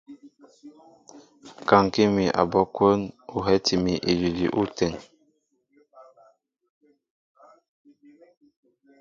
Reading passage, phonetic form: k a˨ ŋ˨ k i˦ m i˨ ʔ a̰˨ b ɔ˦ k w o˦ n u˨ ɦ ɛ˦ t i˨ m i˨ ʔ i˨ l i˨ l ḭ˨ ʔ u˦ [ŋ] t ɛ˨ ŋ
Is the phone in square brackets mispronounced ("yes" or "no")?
yes